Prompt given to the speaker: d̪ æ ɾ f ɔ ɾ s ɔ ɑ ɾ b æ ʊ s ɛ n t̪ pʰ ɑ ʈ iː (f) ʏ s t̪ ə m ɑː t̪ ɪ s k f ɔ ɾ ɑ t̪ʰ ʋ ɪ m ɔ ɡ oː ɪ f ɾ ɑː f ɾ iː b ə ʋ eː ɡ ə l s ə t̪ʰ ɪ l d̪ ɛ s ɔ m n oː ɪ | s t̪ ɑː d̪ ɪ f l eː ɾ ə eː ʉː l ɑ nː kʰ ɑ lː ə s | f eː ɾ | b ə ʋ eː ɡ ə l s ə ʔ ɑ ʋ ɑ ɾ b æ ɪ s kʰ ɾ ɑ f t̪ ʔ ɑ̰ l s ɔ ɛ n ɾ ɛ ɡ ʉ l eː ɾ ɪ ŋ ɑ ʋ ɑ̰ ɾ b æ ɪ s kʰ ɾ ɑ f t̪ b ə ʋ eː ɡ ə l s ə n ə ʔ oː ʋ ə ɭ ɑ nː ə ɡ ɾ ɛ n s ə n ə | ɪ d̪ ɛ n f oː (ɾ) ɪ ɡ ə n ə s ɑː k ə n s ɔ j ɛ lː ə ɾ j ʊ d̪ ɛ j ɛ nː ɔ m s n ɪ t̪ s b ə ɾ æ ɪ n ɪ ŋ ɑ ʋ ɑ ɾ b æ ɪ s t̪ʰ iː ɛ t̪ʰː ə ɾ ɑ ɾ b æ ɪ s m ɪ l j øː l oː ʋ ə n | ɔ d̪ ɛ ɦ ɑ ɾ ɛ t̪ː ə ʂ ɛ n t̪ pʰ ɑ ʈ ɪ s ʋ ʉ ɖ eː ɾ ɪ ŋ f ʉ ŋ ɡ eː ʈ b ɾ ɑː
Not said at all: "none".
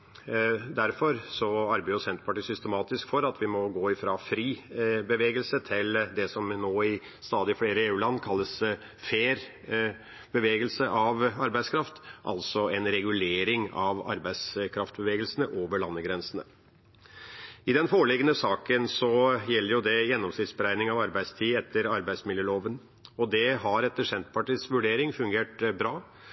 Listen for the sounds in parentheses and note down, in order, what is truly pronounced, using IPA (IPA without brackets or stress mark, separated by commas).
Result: s, ɭ